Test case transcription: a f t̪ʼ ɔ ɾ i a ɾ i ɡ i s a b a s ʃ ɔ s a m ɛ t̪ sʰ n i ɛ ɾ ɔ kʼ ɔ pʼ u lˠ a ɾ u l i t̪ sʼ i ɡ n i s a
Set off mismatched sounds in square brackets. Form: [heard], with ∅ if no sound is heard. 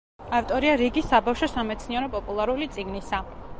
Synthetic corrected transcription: a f t̪ʼ ɔ ɾ i a ɾ i ɡ i s a b a [f] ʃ ɔ s a m ɛ t̪ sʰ n i ɛ ɾ ɔ [pʼ] ɔ pʼ u lˠ a ɾ u l i t̪ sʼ i ɡ n i s a